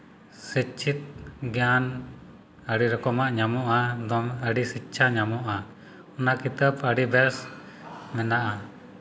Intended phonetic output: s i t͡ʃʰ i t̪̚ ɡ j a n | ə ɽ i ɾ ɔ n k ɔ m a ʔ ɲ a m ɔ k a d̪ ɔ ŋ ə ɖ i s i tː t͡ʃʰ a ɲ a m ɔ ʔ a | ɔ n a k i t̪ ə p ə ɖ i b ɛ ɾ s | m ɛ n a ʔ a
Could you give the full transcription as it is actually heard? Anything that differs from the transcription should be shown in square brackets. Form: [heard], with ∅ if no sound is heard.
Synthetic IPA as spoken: s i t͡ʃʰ i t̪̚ ɡ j a n | ə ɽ i ɾ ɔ [∅] k ɔ m a ʔ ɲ a m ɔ [ʔ] a d̪ ɔ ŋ ə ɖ i s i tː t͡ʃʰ a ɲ a m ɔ ʔ a | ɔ n a k i t̪ ə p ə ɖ i b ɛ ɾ s | m ɛ n a ʔ a